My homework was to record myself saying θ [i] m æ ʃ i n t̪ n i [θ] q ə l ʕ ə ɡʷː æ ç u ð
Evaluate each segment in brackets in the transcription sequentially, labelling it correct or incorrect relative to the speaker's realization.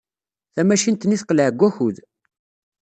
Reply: incorrect, correct

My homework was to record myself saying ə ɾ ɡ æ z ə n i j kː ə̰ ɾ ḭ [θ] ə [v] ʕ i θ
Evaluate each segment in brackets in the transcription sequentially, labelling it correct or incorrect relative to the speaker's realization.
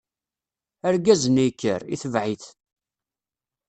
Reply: correct, correct

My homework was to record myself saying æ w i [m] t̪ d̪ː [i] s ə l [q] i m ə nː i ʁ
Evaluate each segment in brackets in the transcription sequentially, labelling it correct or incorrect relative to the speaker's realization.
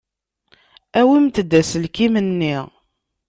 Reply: correct, incorrect, incorrect

